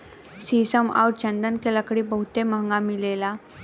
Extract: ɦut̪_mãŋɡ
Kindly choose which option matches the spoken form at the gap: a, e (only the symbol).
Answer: e